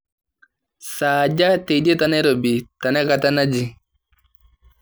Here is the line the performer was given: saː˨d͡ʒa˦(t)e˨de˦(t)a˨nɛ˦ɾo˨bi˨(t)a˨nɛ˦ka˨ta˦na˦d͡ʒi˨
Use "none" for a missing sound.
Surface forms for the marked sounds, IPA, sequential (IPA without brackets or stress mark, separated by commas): t, t, t